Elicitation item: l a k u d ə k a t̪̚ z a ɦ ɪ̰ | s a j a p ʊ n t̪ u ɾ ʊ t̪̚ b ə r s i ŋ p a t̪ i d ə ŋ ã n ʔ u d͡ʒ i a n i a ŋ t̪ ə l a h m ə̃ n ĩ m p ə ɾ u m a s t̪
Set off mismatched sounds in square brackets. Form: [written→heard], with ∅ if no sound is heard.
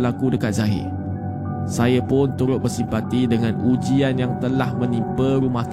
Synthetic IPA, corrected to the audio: l a k u d ə k a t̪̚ z a ɦ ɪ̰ | s a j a p ʊ n t̪ u ɾ ʊ t̪̚ b ə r s i [ŋ→m] p a t̪ i d ə ŋ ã n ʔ u d͡ʒ i a n [i→j] a ŋ t̪ ə l a h m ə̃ n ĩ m p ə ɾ u m a [s→h] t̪